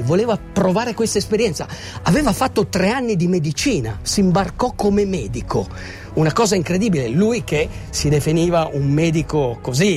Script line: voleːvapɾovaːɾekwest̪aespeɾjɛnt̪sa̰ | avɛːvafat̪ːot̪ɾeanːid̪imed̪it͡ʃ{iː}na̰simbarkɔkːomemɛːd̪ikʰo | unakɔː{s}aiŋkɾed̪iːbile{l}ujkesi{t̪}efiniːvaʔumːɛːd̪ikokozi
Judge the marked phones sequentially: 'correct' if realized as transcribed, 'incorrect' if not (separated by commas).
correct, incorrect, correct, incorrect